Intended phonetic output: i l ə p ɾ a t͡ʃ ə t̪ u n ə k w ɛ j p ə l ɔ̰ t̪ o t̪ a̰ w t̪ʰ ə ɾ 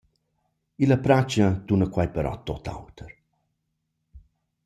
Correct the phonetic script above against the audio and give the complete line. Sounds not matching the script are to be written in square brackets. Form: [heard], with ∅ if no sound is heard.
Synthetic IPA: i l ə p ɾ a t͡ʃ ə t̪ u n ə k w [a] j p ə [ɾ] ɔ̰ t̪ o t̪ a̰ w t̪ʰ ə ɾ